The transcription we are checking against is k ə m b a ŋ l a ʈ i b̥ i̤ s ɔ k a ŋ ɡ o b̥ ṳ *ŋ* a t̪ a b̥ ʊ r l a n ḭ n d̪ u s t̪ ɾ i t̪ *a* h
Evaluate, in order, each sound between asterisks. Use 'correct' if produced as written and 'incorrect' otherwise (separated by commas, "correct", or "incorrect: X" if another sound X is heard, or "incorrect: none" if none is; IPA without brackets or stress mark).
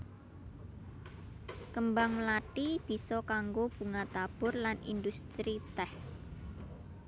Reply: correct, incorrect: ɛ